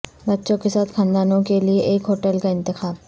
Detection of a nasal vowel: present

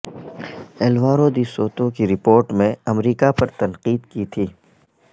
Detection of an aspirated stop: present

